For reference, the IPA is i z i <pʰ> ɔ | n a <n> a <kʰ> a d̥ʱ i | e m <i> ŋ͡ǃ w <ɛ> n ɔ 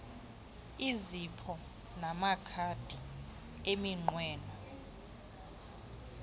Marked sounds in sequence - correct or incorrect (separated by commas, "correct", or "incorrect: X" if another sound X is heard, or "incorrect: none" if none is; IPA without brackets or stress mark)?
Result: correct, incorrect: m, correct, correct, incorrect: ɛː